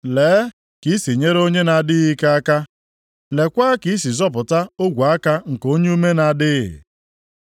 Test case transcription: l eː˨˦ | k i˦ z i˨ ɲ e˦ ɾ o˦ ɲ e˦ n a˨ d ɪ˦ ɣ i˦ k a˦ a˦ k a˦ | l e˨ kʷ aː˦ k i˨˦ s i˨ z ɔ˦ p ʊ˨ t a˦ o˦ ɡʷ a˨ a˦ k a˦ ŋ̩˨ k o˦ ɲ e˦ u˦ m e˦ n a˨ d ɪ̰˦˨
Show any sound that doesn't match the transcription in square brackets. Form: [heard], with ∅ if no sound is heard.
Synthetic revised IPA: l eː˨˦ | k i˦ [s] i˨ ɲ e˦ ɾ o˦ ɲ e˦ n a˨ d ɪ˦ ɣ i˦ k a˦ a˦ k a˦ | l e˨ kʷ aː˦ k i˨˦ s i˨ z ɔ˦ p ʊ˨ t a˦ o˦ ɡʷ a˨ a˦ k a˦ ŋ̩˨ k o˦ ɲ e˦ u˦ m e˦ n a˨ d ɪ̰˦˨

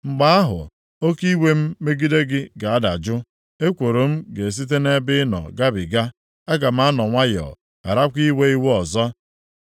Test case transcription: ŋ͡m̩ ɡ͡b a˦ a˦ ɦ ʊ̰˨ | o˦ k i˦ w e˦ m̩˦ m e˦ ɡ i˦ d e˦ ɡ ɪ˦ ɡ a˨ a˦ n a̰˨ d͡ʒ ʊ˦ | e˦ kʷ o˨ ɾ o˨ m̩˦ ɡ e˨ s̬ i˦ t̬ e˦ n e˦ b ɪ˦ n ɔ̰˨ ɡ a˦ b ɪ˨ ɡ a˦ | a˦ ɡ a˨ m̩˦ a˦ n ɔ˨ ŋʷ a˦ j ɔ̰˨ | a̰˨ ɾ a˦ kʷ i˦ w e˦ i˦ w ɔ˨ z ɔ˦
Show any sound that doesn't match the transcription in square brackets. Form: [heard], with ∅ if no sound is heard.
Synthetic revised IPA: ŋ͡m̩ ɡ͡b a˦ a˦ ɦ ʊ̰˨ | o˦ k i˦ w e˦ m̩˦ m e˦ ɡ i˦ d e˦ ɡ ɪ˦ ɡ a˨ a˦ [d] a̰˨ d͡ʒ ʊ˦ | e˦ kʷ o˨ ɾ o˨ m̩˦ ɡ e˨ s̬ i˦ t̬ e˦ n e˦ b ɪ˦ n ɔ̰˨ ɡ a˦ b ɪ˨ ɡ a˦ | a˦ ɡ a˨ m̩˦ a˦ n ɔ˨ ŋʷ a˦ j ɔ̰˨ | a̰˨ ɾ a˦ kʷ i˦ w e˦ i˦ w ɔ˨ z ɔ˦

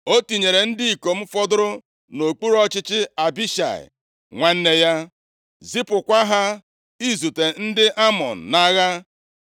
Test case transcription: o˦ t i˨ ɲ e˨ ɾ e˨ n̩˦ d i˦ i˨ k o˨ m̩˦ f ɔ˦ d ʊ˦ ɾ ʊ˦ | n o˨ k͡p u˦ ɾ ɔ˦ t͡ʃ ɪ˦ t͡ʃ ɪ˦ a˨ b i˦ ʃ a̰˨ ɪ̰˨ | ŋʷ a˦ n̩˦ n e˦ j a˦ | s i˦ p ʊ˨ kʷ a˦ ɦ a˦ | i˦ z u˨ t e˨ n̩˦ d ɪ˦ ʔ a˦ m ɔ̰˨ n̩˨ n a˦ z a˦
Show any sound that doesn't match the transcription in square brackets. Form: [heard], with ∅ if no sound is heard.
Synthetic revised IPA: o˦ t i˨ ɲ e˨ ɾ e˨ n̩˦ d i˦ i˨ k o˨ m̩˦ f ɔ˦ d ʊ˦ ɾ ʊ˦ | n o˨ k͡p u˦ ɾ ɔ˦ t͡ʃ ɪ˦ t͡ʃ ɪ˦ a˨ b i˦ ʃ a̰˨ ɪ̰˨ | ŋʷ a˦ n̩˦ n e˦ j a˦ | [z] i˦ p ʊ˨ kʷ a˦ ɦ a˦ | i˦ z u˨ t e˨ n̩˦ d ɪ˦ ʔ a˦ m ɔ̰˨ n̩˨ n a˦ [ɣ] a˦

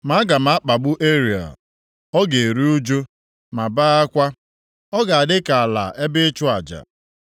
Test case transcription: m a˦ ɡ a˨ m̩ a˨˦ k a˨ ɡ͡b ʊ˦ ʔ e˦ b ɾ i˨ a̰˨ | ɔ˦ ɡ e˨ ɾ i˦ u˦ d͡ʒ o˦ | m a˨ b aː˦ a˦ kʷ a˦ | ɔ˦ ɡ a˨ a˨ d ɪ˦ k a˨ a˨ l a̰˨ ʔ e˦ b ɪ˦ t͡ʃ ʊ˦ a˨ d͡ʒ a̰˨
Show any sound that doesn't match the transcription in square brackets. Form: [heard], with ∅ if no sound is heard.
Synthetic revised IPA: m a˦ ɡ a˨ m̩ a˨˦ [k͡p] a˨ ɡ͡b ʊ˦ ʔ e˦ [∅] ɾ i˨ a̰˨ | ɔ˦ ɡ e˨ ɾ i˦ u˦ d͡ʒ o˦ | m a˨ b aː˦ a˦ kʷ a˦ | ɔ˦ ɡ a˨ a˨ d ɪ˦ k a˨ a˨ l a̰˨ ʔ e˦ b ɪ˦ t͡ʃ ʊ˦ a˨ d͡ʒ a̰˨

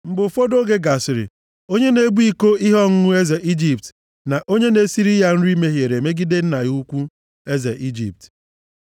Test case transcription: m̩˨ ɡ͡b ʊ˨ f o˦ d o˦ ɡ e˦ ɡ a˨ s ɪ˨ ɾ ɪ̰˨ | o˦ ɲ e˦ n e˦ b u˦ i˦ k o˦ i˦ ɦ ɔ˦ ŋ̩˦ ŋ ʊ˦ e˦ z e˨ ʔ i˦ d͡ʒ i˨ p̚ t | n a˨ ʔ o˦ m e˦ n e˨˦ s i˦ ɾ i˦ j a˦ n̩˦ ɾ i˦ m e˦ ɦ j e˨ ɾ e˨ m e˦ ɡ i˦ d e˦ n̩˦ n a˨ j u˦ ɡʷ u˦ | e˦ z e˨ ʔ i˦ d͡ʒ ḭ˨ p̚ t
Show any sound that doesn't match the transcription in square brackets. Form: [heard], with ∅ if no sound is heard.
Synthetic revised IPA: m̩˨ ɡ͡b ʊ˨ f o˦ d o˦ ɡ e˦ ɡ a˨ s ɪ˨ ɾ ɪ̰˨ | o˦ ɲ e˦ n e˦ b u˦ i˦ k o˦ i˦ ɦ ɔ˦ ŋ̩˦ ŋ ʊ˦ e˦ z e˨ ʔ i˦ d͡ʒ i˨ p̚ t | n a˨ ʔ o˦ [ɲ] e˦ n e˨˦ s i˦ ɾ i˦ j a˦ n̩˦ ɾ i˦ m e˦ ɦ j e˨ ɾ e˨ m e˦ ɡ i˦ d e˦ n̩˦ n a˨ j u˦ [kʷ] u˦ | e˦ z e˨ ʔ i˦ d͡ʒ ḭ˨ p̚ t

